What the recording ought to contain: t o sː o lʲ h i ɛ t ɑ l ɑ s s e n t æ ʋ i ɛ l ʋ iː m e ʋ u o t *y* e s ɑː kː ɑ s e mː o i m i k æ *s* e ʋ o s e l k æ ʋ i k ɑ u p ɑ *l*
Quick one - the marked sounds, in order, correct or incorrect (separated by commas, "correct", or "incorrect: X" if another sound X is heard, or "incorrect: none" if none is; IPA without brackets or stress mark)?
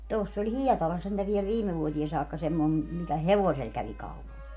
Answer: incorrect: i, incorrect: h, correct